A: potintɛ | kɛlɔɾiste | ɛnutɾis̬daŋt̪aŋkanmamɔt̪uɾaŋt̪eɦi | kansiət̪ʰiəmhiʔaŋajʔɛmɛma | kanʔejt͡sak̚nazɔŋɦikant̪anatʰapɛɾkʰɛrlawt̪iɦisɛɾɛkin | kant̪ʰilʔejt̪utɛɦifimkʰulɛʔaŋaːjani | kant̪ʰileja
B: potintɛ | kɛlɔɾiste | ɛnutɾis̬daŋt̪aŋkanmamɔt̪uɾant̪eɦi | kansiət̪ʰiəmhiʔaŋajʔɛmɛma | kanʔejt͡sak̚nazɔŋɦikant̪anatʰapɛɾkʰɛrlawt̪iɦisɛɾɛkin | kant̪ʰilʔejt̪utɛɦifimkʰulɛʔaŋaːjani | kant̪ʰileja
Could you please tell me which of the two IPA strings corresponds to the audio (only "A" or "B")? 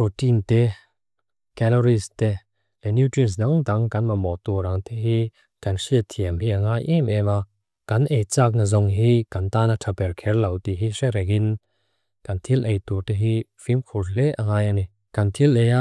A